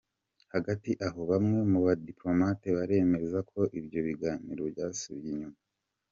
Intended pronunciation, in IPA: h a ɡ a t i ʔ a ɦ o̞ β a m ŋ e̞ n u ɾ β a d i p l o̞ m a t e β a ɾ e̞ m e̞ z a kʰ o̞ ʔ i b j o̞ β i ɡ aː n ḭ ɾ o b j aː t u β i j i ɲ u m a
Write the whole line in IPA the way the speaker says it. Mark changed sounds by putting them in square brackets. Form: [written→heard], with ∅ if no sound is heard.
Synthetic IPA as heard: h a ɡ a t i ʔ a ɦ o̞ β a m ŋ e̞ [n→m] u [ɾ→∅] β a d i p l o̞ m a t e β a ɾ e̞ m e̞ z a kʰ o̞ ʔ i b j o̞ β i ɡ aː n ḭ ɾ o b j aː [t→s] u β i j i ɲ u m a